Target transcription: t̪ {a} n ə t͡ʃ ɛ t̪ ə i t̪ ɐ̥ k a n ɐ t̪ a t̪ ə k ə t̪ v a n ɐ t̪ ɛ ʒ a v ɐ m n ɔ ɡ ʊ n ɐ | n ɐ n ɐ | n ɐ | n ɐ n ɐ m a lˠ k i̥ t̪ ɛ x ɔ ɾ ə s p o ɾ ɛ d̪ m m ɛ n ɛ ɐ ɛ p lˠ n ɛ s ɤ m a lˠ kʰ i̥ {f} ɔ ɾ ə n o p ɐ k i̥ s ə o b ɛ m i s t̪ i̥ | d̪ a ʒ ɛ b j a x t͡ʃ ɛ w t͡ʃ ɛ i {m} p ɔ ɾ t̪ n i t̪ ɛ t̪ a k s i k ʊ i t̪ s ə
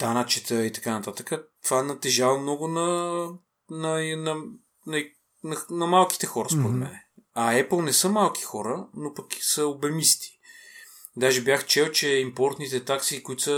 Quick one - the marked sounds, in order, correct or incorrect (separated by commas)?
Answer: correct, incorrect, correct